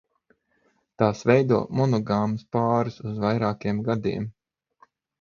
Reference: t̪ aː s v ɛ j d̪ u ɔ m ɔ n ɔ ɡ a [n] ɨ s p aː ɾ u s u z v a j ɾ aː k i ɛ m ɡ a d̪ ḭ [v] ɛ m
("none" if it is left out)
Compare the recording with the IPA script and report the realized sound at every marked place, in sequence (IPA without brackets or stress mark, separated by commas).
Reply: m, none